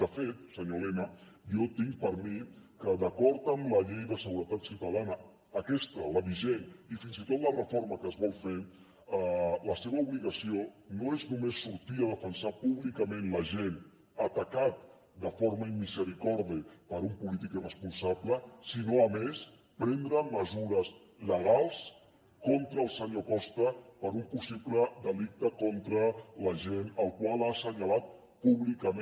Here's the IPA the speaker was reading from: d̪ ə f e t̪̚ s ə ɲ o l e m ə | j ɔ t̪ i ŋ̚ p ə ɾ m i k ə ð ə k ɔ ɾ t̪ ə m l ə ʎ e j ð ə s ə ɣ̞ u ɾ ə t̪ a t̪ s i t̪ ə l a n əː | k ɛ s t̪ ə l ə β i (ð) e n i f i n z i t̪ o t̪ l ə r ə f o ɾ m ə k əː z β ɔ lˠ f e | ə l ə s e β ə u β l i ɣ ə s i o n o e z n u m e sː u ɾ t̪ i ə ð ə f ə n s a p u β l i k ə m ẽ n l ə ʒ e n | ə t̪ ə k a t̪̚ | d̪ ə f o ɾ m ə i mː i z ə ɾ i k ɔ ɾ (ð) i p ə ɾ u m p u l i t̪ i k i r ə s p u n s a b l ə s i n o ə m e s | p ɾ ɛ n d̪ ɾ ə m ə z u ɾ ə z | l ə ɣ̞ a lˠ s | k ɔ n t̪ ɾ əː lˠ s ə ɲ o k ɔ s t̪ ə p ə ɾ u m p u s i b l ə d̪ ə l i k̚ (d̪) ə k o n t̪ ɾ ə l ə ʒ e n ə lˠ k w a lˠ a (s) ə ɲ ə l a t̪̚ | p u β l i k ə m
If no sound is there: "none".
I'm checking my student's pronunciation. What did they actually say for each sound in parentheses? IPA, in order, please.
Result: ʒ, ð, t̪, s

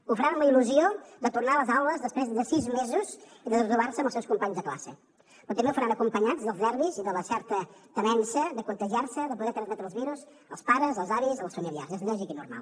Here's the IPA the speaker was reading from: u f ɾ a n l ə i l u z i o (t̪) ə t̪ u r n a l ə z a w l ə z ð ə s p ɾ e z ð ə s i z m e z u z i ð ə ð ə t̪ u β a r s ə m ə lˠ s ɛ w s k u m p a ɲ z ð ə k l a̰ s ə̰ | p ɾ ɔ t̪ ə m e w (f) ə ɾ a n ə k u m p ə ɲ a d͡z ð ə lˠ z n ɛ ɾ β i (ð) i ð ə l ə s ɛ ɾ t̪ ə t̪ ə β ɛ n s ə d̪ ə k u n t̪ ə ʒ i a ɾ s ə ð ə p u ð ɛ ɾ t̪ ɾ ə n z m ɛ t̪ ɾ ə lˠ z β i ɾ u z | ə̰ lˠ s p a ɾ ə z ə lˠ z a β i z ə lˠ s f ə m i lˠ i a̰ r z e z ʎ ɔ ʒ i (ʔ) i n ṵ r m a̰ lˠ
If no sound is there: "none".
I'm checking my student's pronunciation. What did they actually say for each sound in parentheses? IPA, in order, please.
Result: d̪, f, z, k

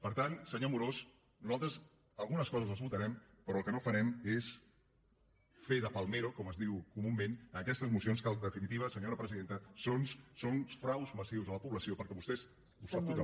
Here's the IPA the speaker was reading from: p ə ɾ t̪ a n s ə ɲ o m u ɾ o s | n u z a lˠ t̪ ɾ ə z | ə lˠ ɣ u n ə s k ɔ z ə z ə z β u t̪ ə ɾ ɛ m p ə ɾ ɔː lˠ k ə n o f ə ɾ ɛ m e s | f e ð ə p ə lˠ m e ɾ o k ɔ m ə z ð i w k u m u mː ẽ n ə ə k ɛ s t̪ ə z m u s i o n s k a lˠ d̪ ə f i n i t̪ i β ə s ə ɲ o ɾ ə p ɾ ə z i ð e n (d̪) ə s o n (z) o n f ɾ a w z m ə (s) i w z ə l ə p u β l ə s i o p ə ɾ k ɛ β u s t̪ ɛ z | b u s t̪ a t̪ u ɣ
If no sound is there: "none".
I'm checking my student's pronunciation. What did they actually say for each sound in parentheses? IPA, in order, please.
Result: t̪, s, s

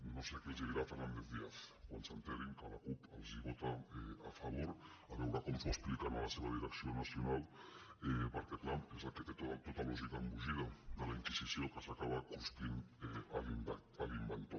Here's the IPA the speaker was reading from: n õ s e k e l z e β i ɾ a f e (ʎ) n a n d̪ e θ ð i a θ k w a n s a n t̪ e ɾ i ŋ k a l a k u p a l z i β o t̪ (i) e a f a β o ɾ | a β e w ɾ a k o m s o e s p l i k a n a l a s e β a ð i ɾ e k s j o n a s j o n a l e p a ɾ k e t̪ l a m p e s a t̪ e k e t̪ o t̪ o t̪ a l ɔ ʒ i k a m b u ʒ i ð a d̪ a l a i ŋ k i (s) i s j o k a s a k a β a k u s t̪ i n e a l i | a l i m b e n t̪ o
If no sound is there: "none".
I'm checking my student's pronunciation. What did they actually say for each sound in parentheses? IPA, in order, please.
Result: ɾ, a, s

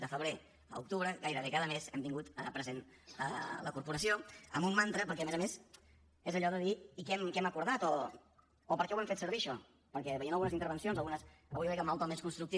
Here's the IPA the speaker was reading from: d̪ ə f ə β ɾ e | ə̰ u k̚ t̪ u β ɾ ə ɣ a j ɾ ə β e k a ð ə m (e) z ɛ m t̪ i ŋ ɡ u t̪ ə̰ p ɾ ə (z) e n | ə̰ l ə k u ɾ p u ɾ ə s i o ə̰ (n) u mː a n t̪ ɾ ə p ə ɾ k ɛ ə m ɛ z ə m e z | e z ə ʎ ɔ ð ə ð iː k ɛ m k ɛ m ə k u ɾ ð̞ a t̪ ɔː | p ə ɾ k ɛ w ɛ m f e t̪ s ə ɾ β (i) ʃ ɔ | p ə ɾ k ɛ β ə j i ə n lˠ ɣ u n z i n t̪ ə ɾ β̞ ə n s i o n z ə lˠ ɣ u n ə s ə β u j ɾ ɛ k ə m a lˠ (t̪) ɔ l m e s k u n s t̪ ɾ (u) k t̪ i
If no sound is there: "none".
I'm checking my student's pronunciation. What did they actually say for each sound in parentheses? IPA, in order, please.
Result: e, z, m, i, t̪, u

